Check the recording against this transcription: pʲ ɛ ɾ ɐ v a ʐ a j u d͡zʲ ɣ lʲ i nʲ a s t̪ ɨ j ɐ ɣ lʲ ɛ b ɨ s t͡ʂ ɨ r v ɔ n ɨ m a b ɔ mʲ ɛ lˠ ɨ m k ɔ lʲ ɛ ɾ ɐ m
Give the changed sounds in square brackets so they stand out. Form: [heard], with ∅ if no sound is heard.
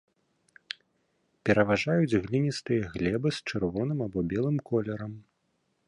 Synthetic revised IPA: pʲ ɛ ɾ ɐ v a ʐ a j u d͡zʲ ɣ lʲ i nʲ [i] s t̪ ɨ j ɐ ɣ lʲ ɛ b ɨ s t͡ʂ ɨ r v ɔ n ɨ m a b ɔ [bʲ] ɛ lˠ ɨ m k ɔ lʲ ɛ ɾ ɐ m